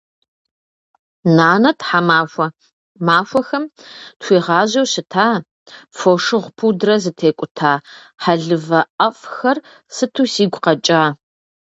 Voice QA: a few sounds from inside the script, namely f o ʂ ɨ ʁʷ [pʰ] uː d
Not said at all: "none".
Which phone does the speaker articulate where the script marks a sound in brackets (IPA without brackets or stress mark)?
pʰ